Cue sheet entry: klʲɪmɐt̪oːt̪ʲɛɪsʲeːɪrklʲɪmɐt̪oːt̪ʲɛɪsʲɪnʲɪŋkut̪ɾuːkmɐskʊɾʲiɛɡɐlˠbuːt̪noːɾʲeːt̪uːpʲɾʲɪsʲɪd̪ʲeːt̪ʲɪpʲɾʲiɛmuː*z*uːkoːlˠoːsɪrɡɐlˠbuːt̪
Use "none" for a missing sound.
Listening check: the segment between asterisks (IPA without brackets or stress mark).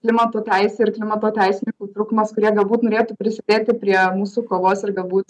s